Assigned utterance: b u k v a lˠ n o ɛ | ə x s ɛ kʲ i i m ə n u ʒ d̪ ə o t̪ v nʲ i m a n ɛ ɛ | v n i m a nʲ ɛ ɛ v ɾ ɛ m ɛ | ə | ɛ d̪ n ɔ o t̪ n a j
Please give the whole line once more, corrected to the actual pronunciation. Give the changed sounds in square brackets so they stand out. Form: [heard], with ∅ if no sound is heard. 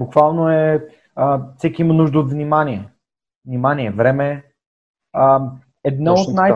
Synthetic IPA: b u k v a lˠ n o ɛ | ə [f] s ɛ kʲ i i m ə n u ʒ d̪ ə o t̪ v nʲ i m a n [i] ɛ | v n i m a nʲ [i] ɛ v ɾ ɛ m ɛ | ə | ɛ d̪ n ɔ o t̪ n a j